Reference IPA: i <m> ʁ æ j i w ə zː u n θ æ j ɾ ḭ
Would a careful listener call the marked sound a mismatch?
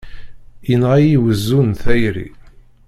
yes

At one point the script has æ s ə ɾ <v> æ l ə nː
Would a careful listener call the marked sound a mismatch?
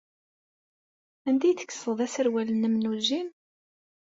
yes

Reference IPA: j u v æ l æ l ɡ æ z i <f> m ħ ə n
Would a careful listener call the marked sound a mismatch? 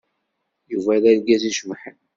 yes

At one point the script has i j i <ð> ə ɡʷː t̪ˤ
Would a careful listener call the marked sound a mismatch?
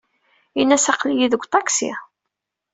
no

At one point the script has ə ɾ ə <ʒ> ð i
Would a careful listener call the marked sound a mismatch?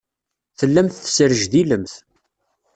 no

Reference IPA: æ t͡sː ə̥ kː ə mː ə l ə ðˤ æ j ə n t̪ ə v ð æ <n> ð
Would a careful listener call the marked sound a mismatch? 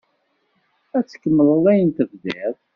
yes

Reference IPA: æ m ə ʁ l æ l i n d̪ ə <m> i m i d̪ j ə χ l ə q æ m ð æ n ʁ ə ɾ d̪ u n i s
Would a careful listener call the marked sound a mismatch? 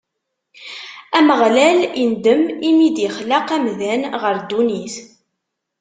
no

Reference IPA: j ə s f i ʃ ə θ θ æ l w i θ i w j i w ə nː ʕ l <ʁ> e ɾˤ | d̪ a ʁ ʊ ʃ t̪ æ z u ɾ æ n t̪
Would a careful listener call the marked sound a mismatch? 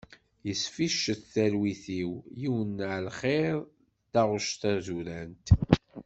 yes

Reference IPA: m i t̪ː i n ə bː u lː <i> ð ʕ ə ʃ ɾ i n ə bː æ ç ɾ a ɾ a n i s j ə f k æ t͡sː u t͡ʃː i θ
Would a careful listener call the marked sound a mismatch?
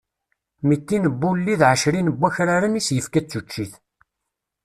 no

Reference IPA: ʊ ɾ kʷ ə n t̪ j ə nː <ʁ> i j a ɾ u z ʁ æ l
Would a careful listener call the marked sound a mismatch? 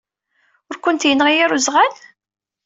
no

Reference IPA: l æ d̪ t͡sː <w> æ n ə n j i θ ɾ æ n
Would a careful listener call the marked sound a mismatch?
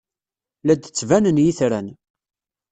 yes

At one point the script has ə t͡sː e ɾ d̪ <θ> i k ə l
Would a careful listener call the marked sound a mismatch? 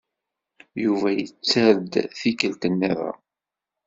no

